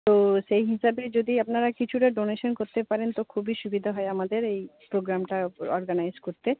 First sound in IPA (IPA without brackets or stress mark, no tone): t̪